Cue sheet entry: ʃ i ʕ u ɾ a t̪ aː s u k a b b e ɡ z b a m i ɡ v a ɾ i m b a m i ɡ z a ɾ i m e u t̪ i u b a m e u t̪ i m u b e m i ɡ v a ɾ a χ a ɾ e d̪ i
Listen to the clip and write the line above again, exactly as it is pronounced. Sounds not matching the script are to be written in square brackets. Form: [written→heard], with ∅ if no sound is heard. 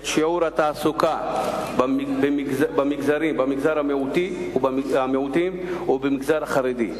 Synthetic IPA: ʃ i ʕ u ɾ a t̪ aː s u k a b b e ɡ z b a m i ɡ [v→z] a ɾ i m b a m i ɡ z a ɾ [i→a] m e u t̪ i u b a m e u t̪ i m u b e m i ɡ [v→z] a ɾ a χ a ɾ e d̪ i